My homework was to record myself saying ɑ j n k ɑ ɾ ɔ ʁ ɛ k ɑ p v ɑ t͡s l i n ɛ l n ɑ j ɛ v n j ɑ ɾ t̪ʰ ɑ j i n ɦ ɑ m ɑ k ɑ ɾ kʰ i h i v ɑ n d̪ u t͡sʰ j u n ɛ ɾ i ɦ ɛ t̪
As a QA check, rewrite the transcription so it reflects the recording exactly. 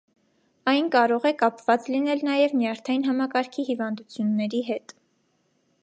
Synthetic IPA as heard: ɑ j n k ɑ ɾ ɔ ʁ ɛ k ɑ p v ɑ t͡s l i n ɛ l n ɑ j ɛ v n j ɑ ɾ t̪ʰ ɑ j i n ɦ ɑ m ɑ k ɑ ɾ kʰ i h i v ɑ n d̪ u t͡sʰ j u nː ɛ ɾ i ɦ ɛ t̪